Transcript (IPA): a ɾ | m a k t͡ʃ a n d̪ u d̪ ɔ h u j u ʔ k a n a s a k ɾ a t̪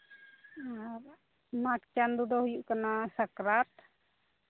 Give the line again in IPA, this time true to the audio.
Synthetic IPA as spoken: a ɾ | m a k t͡ʃ a n d̪ u d̪ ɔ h u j u ʔ k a n a s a k ɾ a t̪